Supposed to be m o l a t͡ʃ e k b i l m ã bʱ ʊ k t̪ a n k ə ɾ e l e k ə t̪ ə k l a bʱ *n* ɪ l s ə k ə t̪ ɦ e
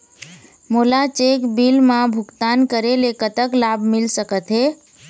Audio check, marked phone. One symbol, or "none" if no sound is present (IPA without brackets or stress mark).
m